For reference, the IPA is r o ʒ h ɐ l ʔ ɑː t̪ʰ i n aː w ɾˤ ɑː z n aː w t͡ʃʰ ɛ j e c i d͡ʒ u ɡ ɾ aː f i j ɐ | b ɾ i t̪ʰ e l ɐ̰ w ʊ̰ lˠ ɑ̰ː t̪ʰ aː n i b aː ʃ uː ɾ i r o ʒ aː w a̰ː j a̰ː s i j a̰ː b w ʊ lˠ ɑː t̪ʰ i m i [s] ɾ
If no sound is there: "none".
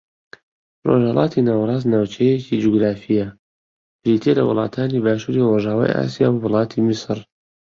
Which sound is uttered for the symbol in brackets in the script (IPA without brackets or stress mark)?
s